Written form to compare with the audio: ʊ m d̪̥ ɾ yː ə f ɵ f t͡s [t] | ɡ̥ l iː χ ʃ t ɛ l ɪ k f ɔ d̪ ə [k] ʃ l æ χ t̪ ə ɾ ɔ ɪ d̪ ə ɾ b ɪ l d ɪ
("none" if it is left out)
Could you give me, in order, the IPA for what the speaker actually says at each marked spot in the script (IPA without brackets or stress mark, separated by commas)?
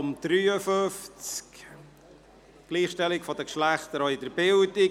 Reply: k, k